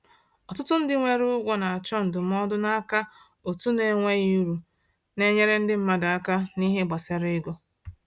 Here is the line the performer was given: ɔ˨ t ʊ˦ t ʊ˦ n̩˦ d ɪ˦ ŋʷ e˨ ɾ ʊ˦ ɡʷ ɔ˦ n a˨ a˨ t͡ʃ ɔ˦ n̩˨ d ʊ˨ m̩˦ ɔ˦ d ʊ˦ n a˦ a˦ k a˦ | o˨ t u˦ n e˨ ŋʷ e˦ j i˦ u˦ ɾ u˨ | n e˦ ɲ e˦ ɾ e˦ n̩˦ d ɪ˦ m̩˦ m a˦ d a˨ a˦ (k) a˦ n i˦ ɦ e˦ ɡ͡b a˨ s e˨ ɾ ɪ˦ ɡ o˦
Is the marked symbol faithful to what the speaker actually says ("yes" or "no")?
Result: yes